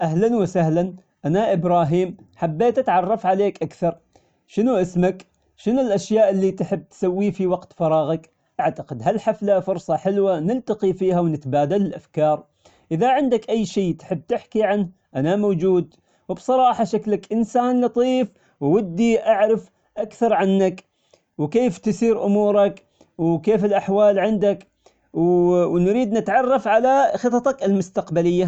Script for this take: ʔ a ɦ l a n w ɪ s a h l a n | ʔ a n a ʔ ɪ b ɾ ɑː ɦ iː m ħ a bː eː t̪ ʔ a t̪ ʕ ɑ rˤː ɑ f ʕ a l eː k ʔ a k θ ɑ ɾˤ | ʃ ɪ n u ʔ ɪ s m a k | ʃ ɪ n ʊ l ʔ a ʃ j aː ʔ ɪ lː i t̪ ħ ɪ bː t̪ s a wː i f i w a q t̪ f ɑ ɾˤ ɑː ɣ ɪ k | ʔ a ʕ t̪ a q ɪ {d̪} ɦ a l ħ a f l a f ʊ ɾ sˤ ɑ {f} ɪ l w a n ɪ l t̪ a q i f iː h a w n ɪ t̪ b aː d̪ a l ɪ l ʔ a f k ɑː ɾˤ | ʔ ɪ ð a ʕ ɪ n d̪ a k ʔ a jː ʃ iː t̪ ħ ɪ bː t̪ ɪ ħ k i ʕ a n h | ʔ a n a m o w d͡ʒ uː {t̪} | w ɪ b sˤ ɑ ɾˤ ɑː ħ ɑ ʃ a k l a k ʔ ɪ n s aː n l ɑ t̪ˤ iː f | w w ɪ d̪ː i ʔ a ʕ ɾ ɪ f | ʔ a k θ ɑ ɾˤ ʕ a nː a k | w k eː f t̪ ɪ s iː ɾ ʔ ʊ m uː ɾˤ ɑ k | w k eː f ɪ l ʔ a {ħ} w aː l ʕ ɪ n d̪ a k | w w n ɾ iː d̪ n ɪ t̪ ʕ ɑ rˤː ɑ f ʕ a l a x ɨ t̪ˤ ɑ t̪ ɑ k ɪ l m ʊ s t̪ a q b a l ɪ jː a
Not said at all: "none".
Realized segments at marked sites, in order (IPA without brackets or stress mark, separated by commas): d̪, ħ, d̪, ħ